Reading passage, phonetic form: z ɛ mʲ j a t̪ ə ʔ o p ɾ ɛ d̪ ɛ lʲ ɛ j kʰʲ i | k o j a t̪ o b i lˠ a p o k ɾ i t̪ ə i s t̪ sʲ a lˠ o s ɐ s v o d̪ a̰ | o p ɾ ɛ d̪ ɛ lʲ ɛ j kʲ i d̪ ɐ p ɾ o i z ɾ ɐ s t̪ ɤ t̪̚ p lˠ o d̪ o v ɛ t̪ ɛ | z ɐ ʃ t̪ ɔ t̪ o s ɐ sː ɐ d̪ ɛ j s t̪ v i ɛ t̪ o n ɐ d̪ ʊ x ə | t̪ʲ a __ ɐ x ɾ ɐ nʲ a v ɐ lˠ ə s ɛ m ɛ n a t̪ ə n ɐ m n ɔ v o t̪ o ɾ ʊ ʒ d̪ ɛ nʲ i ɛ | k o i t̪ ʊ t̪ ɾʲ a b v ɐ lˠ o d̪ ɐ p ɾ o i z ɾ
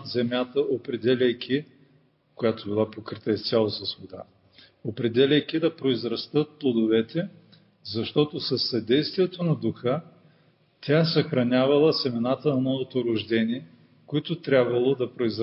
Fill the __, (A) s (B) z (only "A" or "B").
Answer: A